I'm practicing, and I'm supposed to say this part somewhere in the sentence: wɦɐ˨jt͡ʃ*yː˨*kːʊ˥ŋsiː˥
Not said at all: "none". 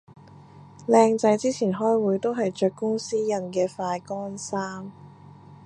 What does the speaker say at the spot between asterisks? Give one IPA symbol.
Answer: œː˨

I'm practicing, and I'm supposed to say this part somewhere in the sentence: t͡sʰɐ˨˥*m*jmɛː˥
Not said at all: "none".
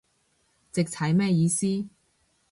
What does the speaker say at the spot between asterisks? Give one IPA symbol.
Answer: none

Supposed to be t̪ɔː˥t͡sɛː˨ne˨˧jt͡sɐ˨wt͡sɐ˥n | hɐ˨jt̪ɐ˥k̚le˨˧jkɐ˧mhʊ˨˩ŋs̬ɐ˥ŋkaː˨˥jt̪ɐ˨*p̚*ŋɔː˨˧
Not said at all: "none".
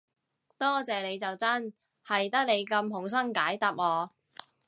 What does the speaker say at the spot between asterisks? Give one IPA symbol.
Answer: p̚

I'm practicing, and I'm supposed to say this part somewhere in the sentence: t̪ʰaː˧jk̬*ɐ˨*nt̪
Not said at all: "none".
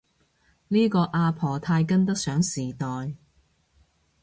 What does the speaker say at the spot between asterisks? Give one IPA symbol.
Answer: ɐ˥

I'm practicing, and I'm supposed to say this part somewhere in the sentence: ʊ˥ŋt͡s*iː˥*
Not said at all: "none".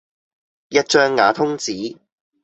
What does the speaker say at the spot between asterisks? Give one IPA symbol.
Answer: iː˨˥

